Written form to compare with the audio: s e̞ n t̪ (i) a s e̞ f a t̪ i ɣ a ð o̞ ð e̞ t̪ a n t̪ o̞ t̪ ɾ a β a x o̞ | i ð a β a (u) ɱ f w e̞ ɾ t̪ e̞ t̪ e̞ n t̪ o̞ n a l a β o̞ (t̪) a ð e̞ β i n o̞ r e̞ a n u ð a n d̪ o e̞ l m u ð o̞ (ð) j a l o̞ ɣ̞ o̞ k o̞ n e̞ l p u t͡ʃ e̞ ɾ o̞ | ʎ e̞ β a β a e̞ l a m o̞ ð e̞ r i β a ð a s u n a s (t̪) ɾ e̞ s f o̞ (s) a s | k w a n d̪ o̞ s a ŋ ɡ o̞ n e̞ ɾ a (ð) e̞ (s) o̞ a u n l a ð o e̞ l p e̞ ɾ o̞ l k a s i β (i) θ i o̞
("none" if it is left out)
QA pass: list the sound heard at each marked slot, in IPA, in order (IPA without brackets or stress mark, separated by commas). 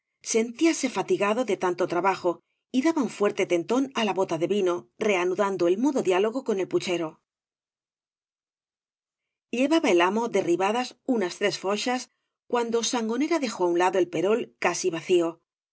i, u, t̪, ð, t̪, ʃ, ð, x, a